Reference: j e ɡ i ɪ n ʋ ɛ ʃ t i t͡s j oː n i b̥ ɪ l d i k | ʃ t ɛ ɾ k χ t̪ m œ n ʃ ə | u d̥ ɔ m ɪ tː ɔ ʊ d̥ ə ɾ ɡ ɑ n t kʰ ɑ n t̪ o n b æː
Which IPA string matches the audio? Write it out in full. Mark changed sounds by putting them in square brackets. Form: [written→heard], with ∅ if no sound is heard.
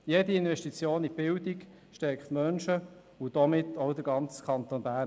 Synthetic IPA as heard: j e [ɡ→d] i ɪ n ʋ ɛ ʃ t i t͡s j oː n i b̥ ɪ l d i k | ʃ t ɛ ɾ k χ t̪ m œ n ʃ ə | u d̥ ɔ m ɪ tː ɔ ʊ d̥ ə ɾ ɡ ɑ n [t→t͡s] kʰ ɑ n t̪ o n b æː